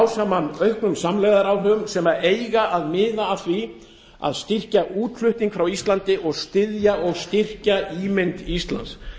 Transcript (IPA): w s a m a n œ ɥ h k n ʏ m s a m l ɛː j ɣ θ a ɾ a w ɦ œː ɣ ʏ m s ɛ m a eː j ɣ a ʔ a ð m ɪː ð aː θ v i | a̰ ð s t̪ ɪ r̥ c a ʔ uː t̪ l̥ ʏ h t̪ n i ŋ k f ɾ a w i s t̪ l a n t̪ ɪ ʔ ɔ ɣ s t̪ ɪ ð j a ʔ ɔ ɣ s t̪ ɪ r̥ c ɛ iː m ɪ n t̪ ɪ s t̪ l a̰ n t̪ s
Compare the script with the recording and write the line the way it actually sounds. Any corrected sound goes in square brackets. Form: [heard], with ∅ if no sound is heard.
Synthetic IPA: w s a m a n œ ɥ h k n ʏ m s a m l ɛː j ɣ [ð] a ɾ a w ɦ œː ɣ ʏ m s ɛ m a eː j ɣ a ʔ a ð m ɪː ð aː θ v i | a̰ ð s t̪ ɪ r̥ c a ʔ uː t̪ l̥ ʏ h t̪ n i ŋ k f ɾ a w i s t̪ l a n t̪ ɪ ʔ ɔ ɣ s t̪ ɪ ð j a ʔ ɔ ɣ s t̪ ɪ r̥ c [a] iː m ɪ n t̪ [i] s t̪ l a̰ n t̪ s